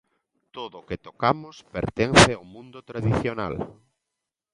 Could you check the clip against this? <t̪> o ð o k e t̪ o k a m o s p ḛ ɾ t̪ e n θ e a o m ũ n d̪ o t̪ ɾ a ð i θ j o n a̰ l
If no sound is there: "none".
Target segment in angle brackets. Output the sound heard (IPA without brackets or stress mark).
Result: t̪